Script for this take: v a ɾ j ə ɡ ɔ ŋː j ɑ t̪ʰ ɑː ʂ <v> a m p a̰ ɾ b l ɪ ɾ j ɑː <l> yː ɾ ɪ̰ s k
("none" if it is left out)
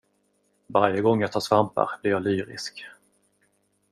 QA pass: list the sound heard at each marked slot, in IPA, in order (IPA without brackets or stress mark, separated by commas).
v, l